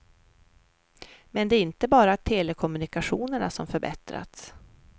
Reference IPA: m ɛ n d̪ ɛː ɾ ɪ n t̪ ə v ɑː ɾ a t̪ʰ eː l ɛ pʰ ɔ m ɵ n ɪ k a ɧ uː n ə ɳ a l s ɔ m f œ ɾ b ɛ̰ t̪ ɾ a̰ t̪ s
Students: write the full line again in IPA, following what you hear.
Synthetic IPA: m ɛ n d̪ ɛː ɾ ɪ n t̪ ə b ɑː ɾ a t̪ʰ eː l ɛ kʰ ɔ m ɵ n ɪ k a ɧ uː n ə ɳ a s ɔ m f œ ɾ b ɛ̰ t̪ ɾ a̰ t̪ s